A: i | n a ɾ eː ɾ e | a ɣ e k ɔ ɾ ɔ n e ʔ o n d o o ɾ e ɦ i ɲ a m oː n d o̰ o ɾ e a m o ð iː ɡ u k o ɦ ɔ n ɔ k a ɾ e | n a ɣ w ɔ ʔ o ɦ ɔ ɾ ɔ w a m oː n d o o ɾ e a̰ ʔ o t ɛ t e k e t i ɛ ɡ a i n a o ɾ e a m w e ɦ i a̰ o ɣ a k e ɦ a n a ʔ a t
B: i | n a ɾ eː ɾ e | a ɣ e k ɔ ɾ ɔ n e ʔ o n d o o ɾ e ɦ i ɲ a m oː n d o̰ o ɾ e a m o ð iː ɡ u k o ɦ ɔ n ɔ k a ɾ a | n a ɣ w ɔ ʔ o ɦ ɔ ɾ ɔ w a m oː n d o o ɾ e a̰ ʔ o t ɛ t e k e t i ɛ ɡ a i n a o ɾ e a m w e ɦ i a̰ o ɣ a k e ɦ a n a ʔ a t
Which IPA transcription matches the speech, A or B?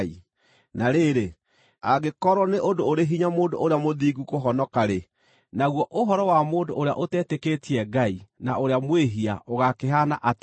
A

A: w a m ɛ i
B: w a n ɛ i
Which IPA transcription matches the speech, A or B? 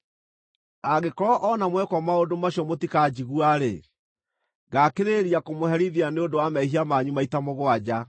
A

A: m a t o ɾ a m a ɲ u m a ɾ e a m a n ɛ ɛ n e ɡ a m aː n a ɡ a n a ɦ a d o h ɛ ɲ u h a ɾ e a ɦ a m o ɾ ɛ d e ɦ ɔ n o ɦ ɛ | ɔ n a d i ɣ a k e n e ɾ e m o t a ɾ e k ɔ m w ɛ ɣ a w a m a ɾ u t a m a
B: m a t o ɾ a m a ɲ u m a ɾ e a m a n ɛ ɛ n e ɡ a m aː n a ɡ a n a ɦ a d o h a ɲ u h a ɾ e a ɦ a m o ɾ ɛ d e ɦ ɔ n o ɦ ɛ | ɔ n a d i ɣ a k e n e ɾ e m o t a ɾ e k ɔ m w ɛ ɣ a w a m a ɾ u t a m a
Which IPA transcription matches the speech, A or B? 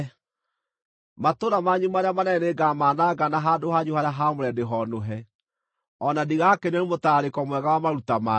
B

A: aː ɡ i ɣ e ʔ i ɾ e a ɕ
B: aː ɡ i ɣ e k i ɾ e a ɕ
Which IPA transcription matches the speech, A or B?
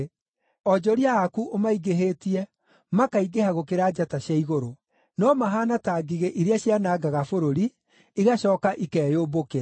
A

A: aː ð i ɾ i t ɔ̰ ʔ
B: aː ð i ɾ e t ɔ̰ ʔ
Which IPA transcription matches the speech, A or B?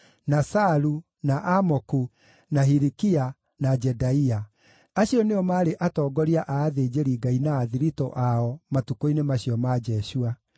A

